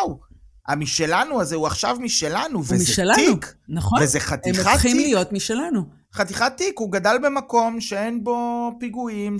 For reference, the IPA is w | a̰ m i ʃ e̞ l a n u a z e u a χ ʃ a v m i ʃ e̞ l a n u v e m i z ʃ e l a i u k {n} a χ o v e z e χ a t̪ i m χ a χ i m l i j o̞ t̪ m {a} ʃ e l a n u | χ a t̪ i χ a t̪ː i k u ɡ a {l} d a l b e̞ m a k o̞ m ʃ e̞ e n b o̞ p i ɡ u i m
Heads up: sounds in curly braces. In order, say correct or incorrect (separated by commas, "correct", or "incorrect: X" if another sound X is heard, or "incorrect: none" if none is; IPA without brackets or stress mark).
correct, incorrect: i, incorrect: none